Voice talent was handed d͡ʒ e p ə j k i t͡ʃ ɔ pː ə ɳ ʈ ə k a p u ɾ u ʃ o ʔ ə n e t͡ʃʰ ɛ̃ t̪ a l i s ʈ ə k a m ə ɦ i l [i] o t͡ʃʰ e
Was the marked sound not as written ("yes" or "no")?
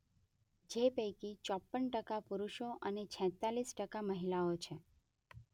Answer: yes